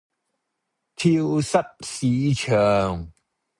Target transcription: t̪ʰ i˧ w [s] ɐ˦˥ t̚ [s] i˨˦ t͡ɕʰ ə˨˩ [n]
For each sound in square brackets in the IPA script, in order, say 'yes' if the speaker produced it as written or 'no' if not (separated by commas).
yes, yes, no